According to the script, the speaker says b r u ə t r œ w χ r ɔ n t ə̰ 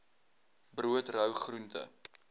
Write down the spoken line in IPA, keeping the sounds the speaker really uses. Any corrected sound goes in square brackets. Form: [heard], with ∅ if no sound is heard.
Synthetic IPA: b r u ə t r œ w χ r [u] n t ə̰